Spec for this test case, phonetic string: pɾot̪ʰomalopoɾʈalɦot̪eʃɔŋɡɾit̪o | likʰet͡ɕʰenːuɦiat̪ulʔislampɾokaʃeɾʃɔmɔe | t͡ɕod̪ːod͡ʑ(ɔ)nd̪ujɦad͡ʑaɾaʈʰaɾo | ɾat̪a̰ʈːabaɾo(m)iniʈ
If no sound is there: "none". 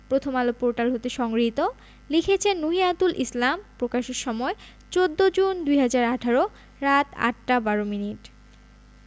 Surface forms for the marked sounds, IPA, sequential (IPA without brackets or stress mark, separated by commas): u, m